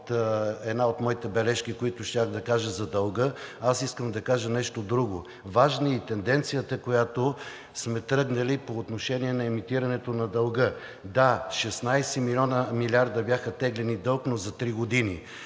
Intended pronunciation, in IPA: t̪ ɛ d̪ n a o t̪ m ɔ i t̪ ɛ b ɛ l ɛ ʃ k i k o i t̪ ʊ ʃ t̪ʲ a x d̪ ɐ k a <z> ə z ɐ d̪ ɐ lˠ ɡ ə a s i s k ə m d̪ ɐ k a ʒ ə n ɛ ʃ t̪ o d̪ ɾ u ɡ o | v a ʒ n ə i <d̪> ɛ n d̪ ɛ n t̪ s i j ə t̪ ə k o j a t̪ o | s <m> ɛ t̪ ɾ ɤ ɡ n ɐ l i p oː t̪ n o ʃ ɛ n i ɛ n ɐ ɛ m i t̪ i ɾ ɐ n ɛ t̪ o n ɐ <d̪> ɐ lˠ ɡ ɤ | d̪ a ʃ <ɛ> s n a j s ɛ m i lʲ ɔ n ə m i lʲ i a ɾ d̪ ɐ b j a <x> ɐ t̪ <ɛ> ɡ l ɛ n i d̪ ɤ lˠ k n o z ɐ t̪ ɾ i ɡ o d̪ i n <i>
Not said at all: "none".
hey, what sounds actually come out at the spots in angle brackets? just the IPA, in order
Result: ʒ, t̪, m, d̪, ɛ, x, ɛ, i

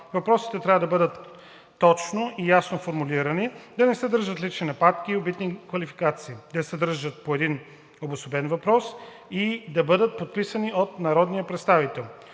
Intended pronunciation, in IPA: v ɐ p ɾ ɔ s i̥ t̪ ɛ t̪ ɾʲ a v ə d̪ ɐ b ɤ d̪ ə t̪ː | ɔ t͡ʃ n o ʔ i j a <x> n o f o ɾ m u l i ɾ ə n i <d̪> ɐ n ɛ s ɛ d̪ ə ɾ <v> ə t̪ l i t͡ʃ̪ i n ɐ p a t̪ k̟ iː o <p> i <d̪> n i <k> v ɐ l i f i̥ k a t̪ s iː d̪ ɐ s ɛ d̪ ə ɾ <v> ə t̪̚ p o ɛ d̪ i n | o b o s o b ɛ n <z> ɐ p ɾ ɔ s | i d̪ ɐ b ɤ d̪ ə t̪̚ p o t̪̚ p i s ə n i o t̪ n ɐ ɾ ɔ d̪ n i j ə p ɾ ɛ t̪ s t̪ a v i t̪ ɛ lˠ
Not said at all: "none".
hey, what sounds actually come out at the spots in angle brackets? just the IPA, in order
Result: s, d̪, ʒ, b, t̪, k, ʒ, v

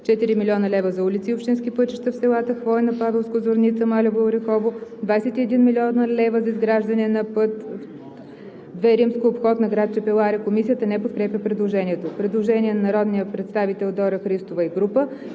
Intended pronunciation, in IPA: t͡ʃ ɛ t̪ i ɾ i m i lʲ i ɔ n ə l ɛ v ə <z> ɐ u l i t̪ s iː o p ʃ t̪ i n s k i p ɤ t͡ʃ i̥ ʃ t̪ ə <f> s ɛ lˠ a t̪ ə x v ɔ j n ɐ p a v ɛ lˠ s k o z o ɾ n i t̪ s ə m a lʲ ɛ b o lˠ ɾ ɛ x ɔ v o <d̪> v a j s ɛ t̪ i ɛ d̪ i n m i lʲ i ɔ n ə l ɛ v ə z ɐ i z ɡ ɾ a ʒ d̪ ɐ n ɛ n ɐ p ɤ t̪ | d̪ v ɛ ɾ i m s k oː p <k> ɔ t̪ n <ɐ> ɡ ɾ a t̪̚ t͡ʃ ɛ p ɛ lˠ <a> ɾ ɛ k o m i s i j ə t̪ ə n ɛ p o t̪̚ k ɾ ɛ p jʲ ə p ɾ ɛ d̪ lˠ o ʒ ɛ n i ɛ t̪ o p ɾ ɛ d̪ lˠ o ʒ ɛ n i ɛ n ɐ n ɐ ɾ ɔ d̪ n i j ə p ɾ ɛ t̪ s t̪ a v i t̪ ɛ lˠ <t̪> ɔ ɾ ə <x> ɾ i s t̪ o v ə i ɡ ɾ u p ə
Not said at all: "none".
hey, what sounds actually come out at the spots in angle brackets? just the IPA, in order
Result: z, f, d̪, x, ɐ, a, d̪, x

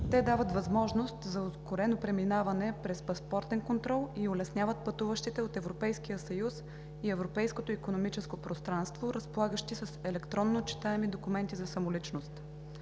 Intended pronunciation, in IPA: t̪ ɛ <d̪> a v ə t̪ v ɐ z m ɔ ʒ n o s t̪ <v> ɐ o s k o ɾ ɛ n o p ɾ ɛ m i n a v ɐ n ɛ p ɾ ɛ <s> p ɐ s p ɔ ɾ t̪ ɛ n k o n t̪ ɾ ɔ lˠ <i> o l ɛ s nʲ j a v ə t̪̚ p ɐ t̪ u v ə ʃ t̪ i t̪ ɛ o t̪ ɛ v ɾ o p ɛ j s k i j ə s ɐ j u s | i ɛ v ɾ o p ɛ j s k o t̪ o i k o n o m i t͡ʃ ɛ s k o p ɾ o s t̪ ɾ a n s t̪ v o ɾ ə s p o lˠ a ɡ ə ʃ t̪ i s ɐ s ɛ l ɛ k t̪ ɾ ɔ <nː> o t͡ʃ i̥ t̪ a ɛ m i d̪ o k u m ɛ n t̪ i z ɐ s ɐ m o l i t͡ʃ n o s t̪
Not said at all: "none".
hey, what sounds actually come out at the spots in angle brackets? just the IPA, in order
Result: d̪, z, s, i, nː

